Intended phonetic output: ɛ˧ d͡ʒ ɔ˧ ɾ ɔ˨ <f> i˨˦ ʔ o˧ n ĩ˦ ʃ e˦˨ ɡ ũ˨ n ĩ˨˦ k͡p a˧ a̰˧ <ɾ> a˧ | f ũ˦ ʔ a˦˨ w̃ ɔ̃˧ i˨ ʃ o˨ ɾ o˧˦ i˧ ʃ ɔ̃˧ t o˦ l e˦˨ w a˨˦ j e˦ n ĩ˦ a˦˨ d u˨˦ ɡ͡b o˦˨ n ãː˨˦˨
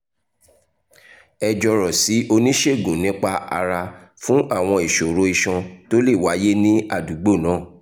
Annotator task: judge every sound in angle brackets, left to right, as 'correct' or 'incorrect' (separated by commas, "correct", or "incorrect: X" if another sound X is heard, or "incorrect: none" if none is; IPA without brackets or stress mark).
incorrect: s, correct